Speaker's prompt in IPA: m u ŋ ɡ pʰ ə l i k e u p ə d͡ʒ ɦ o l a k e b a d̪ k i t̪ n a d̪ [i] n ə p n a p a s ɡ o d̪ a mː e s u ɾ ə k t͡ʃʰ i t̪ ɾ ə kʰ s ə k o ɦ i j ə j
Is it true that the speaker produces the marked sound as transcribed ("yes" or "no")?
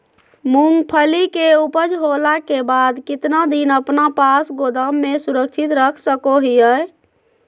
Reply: yes